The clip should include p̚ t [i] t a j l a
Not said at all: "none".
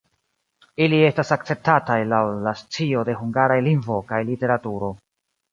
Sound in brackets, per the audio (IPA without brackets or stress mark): a